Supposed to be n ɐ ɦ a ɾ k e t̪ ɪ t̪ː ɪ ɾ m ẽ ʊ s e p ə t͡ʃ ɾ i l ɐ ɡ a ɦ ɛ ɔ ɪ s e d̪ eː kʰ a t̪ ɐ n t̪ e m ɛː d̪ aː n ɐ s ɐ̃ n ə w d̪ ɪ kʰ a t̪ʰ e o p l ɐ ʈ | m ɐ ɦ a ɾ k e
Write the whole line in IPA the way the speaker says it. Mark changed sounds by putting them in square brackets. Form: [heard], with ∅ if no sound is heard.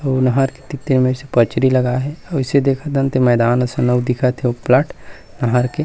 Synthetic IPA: n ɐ ɦ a ɾ k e t̪ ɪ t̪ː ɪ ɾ m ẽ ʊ s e p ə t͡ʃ ɾ i l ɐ ɡ a ɦ ɛ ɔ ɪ s e d̪ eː kʰ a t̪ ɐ n t̪ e m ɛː d̪ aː n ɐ s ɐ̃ n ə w d̪ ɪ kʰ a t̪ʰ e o p l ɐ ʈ | [n] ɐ ɦ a ɾ k e